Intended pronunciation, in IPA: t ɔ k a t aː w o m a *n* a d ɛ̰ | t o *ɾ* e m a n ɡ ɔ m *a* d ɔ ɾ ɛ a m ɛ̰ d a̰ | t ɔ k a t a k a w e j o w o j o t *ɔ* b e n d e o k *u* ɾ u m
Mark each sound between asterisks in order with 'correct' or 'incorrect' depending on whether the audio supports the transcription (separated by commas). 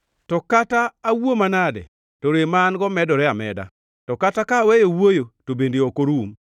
correct, correct, incorrect, incorrect, incorrect